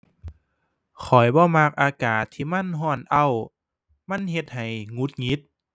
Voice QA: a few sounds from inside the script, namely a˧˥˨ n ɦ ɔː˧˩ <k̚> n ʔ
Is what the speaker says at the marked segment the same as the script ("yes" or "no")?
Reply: no